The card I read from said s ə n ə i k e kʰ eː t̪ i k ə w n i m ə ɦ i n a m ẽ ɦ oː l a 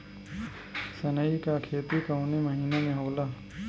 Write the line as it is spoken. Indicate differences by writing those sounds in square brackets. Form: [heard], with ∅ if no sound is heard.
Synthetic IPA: s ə n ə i k [a] kʰ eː t̪ i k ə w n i m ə ɦ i n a m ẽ ɦ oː l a